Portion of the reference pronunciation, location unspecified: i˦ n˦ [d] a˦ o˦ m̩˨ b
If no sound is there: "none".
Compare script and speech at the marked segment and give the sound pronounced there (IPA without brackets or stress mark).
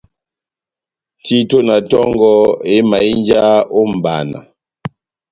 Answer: d͡ʒ